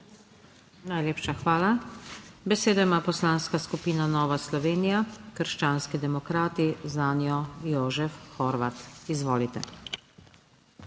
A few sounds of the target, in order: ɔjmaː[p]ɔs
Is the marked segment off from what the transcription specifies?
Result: no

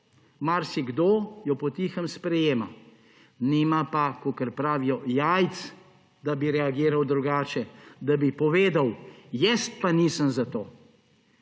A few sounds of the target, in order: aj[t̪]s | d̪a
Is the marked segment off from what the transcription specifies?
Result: no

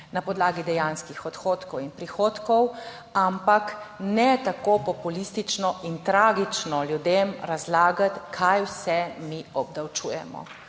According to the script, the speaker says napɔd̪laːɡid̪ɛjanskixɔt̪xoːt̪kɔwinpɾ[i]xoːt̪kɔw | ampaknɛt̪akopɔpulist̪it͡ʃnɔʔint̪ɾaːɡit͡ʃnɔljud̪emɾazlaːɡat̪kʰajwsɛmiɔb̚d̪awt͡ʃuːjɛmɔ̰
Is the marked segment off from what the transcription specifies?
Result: no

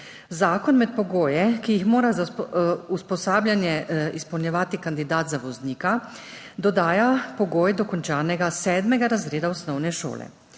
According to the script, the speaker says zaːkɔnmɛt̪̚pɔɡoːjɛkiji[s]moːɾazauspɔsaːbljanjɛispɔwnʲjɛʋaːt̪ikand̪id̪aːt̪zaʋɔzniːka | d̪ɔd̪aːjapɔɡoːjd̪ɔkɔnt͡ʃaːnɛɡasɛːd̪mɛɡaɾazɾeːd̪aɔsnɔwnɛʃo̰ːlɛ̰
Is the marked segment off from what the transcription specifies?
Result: yes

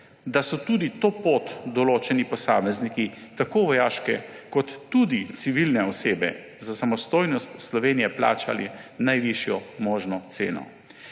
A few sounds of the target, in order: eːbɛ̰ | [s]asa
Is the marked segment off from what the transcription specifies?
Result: yes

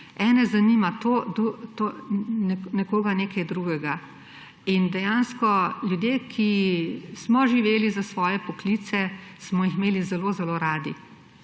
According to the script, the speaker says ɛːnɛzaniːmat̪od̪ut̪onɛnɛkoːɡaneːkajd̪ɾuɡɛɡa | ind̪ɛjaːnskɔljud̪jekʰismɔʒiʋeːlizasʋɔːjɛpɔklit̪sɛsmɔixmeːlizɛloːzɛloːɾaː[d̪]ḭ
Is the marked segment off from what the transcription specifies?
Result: no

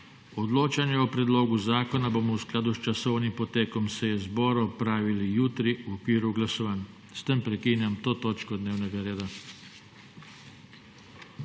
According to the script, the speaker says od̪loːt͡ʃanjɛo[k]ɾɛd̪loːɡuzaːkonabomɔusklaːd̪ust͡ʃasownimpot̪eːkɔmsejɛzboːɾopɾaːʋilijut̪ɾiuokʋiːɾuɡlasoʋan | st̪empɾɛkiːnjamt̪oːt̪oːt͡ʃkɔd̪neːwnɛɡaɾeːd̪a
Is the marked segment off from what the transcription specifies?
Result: yes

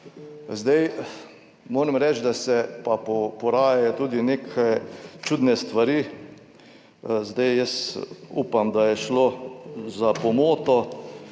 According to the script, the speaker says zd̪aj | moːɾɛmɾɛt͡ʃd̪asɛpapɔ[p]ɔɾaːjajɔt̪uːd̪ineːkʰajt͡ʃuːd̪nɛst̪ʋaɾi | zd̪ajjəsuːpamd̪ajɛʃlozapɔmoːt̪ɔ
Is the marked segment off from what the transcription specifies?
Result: no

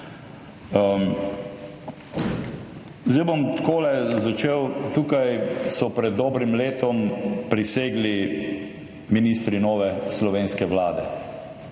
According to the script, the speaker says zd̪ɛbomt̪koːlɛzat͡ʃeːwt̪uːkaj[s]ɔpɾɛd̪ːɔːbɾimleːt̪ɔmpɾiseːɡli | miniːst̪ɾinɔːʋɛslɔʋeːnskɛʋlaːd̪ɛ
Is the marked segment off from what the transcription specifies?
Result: no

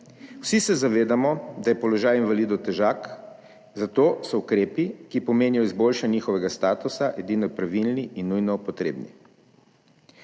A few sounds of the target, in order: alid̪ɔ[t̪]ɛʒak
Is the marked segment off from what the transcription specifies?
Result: no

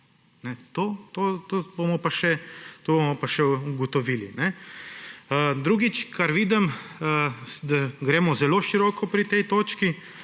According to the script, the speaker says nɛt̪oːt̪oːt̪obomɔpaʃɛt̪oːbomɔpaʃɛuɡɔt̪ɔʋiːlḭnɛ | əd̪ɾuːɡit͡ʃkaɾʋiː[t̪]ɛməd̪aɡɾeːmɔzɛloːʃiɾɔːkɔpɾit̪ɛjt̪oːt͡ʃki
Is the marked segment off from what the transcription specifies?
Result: yes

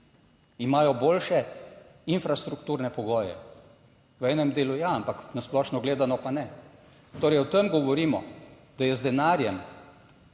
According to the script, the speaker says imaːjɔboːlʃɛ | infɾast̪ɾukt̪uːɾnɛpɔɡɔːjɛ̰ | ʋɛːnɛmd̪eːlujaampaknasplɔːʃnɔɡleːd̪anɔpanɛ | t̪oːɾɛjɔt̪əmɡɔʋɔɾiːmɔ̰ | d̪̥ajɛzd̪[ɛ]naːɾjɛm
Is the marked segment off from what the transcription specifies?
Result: no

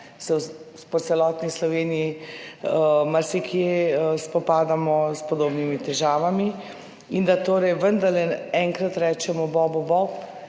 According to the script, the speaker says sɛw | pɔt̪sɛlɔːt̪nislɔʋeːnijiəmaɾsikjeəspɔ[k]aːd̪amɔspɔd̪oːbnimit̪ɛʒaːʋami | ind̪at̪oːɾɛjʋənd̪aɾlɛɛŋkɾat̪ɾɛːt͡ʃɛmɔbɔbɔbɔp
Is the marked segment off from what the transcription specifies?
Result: yes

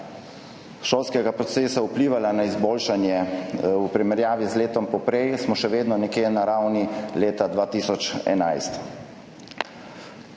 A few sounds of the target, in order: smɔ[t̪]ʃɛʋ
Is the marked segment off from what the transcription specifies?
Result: yes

